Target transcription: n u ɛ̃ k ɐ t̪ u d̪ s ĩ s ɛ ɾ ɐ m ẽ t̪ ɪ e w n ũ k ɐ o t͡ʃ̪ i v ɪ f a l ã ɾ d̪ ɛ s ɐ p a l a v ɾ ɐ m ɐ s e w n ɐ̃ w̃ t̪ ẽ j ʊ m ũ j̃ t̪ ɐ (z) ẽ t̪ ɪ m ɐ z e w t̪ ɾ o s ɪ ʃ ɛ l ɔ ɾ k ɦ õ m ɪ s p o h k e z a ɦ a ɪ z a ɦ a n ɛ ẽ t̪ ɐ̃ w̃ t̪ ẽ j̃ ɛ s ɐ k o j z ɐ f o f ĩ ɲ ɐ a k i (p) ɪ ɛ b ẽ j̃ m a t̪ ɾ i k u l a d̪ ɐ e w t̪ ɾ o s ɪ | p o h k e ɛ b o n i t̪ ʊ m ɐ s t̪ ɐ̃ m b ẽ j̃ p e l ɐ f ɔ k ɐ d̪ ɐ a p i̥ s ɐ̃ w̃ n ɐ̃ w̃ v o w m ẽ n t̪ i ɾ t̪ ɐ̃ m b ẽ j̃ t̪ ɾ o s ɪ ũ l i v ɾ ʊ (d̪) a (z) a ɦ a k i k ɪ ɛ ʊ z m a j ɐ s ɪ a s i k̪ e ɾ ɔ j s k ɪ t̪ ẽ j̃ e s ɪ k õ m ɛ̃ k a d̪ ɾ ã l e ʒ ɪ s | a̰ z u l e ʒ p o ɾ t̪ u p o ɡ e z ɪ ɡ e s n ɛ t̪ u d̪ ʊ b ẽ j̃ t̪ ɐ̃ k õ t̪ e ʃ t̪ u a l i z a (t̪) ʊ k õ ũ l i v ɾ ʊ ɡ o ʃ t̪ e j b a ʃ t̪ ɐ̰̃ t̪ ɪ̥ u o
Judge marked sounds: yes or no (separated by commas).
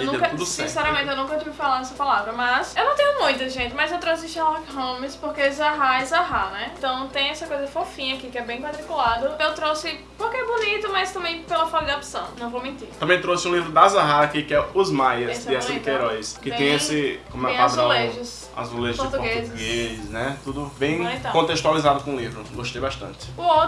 no, no, yes, yes, no